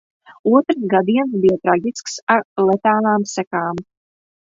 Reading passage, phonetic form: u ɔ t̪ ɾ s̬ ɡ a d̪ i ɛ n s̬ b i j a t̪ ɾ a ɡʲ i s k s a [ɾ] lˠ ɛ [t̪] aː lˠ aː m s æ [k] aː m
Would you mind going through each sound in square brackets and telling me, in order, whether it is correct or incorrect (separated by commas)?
correct, correct, correct